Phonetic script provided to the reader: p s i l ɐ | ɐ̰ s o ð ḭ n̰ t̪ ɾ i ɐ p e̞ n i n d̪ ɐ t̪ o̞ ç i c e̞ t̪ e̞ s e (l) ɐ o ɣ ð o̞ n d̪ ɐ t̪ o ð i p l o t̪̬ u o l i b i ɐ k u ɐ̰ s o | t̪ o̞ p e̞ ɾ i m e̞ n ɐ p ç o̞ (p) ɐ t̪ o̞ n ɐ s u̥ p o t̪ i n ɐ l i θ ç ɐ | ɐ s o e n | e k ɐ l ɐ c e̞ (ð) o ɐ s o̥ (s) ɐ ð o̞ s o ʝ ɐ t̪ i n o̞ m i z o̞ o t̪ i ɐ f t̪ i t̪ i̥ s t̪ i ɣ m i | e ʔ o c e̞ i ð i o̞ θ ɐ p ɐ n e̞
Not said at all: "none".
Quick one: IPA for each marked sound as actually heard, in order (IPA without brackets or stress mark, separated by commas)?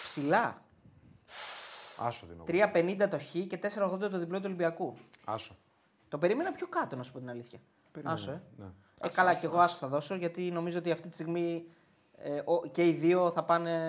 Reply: ɾ, k, ɣ, θ